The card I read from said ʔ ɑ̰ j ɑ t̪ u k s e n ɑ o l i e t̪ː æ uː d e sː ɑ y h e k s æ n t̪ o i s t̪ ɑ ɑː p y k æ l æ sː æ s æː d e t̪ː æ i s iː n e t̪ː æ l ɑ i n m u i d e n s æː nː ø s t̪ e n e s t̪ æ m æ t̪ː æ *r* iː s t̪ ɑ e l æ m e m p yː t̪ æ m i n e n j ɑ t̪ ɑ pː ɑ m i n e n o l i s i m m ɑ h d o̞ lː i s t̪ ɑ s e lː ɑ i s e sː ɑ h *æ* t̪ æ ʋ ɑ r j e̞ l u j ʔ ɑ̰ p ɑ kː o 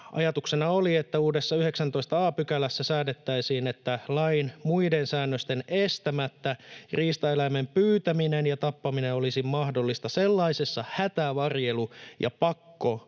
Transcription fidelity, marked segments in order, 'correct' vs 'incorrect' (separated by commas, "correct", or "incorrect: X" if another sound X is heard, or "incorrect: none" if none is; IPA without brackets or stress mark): correct, correct